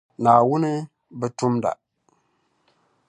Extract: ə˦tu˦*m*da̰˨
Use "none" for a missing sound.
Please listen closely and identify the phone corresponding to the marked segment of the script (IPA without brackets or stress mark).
m